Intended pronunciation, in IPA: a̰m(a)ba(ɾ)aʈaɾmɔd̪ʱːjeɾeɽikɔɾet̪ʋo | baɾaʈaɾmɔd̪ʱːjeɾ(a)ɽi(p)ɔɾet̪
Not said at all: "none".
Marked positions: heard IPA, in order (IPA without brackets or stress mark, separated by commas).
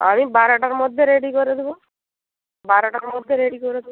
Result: i, ɾ, e, k